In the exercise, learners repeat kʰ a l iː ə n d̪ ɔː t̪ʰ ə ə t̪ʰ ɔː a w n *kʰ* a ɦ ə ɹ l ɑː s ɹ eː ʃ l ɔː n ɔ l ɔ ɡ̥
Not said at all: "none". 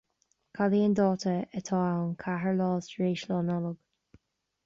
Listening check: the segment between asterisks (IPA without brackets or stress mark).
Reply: kʰ